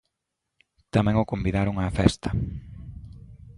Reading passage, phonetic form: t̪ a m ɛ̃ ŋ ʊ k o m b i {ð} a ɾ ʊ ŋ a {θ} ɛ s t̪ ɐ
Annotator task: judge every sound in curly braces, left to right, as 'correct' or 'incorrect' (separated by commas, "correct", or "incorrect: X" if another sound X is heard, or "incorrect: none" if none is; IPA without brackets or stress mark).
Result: correct, incorrect: f